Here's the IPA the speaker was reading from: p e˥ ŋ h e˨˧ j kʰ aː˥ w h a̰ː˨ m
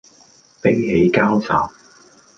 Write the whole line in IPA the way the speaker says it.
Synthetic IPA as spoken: p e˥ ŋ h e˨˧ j k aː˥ w s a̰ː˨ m